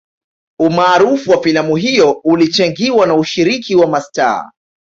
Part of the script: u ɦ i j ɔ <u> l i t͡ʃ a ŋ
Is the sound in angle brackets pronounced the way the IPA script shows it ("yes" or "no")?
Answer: yes